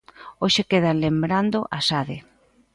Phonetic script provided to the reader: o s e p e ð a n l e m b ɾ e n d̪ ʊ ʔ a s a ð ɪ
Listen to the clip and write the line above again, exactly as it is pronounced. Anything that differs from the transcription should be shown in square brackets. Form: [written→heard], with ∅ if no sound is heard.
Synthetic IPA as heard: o [s→ʃ] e [p→k] e ð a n l e m b ɾ [e→a] n d̪ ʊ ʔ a s a ð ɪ